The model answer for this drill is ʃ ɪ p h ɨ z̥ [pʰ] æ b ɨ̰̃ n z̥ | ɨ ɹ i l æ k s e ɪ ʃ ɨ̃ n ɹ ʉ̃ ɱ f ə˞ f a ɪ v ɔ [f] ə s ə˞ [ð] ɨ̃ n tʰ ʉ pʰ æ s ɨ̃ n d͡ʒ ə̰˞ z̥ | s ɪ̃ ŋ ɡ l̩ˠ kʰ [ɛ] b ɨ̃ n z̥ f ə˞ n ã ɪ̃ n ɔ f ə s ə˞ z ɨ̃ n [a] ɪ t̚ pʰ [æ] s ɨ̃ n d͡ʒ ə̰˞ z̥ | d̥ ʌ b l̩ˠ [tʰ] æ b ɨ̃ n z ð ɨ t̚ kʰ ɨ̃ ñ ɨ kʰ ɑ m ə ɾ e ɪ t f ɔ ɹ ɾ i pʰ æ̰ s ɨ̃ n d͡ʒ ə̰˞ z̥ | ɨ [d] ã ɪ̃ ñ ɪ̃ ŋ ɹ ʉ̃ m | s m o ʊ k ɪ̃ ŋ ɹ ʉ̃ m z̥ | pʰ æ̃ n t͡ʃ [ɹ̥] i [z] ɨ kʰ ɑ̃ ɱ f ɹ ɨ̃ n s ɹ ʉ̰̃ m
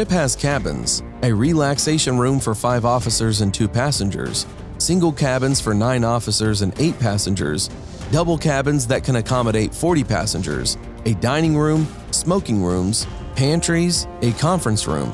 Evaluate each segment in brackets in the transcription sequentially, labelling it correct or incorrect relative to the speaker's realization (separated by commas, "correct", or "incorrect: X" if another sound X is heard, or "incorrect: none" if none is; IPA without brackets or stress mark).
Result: incorrect: kʰ, correct, incorrect: z, incorrect: æ, incorrect: e, correct, incorrect: kʰ, correct, correct, correct